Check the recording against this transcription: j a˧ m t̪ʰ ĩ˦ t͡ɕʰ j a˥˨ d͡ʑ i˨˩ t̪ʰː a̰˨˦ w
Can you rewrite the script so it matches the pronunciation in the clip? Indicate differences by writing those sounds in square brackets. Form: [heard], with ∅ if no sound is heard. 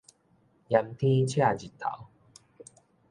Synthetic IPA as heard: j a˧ m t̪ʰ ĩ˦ t͡ɕʰ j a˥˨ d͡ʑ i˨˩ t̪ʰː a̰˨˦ w